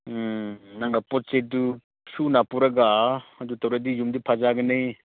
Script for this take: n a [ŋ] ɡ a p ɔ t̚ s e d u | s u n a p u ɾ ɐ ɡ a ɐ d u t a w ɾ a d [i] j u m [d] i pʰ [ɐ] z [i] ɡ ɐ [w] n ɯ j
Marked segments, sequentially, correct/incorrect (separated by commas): correct, correct, correct, incorrect, incorrect, incorrect